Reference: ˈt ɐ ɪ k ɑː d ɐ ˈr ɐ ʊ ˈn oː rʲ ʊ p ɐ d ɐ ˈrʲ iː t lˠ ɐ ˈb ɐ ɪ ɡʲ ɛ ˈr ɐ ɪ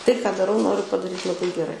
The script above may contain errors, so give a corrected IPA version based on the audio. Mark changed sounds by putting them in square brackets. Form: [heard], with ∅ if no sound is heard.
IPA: ˈt ɐ ɪ k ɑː d ɐ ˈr ɐ ʊ ˈn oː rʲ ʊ p ɐ d ɐ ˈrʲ iː t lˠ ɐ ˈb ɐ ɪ ɡʲ ɛ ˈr ɐ ɪ